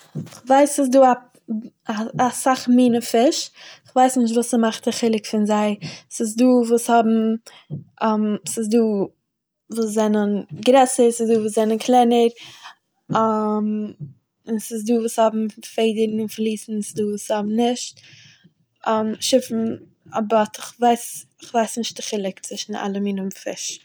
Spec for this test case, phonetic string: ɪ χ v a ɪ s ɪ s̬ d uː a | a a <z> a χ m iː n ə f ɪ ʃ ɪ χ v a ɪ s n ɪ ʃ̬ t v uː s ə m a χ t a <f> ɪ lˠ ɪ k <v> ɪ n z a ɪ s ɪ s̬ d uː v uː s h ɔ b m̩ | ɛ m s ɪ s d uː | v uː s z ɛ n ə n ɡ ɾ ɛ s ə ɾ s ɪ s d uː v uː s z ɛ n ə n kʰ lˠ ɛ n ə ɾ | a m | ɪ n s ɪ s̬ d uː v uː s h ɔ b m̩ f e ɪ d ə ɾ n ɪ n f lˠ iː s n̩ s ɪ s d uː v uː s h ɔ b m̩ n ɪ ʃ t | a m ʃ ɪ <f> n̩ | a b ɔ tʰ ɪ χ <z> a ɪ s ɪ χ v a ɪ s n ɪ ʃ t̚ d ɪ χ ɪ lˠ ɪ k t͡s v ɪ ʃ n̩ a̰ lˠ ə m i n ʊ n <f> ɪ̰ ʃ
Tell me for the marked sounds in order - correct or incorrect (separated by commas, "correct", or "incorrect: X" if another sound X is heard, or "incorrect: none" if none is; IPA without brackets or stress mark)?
incorrect: s, incorrect: χ, incorrect: f, correct, incorrect: v, correct